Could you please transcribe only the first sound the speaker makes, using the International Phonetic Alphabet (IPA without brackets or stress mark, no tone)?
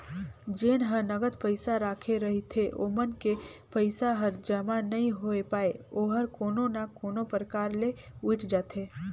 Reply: d͡ʒ